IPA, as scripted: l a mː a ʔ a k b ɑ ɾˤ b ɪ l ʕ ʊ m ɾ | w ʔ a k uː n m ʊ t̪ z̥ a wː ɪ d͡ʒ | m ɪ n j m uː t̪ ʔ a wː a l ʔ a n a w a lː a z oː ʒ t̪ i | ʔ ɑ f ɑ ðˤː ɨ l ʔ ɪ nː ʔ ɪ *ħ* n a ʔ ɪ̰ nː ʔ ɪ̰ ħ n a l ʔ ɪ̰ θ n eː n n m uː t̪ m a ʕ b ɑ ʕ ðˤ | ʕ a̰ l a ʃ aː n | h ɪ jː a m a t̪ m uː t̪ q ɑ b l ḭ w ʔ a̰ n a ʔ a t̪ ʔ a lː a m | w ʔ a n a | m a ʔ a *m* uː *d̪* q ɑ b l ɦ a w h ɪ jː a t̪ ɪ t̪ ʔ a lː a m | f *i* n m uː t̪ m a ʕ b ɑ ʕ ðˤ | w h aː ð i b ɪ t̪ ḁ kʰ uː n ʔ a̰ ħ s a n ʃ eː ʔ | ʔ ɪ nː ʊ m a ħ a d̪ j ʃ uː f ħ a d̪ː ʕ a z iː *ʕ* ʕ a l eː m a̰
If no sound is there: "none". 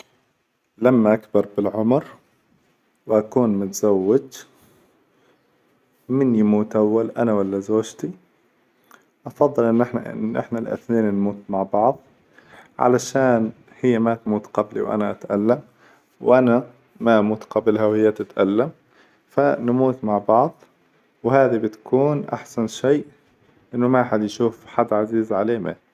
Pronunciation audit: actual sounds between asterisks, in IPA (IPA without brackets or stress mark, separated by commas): ħ, m, t̪, a, z